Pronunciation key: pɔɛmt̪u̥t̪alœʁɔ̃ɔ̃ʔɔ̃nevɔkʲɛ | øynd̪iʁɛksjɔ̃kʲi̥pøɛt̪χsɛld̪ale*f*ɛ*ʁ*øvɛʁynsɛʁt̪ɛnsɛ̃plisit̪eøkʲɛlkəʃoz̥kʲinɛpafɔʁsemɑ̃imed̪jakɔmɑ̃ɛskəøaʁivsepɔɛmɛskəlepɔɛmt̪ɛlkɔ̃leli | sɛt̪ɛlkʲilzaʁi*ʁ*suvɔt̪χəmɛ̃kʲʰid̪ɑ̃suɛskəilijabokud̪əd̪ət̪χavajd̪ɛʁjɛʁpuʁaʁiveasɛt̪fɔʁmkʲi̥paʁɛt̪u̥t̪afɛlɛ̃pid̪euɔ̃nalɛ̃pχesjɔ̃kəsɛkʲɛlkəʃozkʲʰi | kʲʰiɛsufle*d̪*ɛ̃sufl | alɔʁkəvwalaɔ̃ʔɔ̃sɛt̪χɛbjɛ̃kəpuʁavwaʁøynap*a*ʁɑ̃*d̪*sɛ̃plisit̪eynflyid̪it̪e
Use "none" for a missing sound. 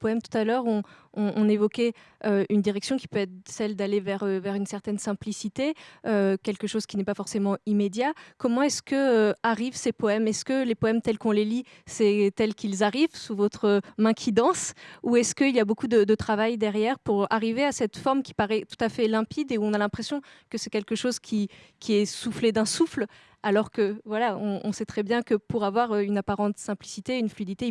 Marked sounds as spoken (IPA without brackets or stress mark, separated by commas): v, ʁ, v, d̪, a, t̪